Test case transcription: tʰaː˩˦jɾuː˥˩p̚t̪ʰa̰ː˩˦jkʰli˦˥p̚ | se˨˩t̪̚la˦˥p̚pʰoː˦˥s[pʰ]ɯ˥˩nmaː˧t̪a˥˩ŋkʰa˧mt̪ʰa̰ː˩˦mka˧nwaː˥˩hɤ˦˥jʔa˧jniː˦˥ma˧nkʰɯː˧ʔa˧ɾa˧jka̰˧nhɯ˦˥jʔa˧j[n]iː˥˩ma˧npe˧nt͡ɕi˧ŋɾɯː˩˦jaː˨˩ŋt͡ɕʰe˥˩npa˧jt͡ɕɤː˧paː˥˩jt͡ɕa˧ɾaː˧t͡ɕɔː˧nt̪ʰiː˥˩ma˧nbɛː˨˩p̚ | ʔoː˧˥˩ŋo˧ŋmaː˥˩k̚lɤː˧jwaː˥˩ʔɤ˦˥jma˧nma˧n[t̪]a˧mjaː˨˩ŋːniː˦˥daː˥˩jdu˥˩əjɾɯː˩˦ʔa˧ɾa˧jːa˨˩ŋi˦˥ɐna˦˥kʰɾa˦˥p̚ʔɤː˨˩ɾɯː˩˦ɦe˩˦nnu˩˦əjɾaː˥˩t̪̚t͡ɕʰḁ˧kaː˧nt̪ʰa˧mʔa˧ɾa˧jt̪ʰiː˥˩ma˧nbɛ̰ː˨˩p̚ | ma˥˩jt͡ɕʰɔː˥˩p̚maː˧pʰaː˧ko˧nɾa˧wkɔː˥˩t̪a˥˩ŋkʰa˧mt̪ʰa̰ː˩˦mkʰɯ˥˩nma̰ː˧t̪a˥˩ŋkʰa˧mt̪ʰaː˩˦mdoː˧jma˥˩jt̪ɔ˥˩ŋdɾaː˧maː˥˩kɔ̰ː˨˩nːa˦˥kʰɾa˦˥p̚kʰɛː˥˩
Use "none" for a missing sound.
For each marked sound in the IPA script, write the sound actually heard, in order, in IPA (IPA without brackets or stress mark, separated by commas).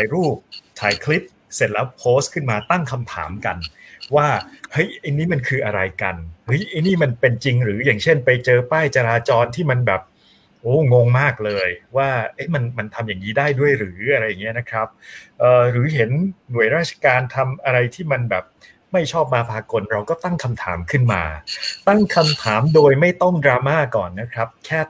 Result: kʰ, n, t̪ʰ